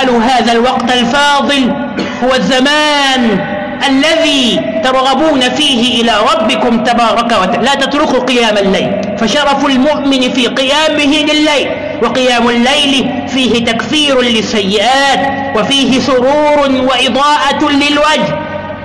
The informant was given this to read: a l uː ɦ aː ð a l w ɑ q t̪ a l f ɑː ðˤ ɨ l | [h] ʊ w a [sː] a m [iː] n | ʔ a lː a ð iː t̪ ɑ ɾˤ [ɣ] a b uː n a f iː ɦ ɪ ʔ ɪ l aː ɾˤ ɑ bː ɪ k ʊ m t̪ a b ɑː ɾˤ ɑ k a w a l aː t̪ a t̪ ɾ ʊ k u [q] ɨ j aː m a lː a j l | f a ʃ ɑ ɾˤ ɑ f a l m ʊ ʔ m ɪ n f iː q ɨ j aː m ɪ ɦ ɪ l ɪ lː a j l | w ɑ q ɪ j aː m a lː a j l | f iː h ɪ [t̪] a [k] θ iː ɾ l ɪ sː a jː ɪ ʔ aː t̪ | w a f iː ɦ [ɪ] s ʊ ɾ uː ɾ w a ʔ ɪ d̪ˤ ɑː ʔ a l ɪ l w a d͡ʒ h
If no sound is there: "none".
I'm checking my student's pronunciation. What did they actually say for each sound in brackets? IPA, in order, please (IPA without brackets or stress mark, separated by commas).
h, zː, aː, ɣ, q, t̪, k, ɪ